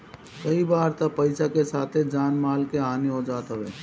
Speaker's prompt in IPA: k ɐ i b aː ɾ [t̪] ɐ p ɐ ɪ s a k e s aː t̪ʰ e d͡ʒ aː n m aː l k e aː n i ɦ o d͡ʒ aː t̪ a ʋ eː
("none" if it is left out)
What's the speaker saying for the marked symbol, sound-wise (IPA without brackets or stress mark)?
t̪